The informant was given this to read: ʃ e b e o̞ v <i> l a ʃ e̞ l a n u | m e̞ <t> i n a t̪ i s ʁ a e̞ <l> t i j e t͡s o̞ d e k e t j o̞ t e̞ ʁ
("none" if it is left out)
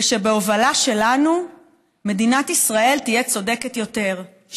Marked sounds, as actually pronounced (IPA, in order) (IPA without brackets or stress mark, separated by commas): a, d, l